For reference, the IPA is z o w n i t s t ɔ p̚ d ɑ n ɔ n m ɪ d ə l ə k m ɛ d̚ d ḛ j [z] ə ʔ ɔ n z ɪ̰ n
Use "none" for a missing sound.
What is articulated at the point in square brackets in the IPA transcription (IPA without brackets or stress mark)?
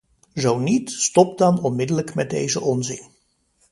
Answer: z